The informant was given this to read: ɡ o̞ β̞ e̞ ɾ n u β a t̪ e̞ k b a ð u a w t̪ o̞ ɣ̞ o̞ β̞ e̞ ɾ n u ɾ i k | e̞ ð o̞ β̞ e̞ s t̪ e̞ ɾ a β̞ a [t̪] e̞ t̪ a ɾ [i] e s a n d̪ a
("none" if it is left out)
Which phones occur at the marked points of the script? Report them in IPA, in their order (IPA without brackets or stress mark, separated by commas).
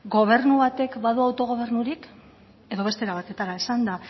t̪, a